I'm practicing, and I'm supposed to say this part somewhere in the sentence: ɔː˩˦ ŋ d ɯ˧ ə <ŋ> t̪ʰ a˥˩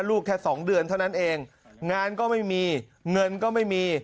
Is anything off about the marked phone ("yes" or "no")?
yes